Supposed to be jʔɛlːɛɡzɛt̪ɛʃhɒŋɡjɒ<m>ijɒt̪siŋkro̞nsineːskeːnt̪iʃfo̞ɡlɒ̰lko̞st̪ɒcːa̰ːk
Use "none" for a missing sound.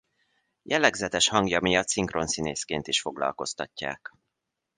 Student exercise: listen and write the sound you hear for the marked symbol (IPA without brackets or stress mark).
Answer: m